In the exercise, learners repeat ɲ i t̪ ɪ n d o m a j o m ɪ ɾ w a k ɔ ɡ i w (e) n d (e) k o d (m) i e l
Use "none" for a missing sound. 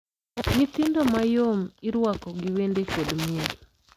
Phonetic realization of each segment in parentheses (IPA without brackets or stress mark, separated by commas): e, e, m